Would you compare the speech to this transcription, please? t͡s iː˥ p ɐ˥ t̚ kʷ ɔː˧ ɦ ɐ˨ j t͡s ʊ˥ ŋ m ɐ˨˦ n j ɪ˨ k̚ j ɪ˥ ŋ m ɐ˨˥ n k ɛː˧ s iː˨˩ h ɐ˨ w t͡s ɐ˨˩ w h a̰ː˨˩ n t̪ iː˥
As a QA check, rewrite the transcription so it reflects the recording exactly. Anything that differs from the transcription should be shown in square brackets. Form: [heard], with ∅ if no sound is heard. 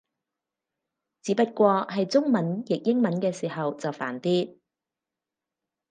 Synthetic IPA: t͡s [iː˨˥] p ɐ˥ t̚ kʷ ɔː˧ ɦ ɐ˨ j t͡s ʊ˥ ŋ m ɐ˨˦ n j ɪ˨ k̚ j ɪ˥ ŋ m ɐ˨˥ n k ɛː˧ s iː˨˩ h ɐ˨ w t͡s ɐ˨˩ w [f] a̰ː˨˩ n t̪ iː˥